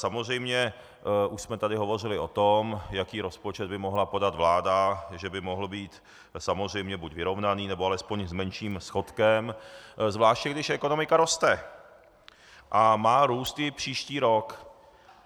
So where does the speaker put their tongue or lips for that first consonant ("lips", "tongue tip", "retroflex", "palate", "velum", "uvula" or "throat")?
tongue tip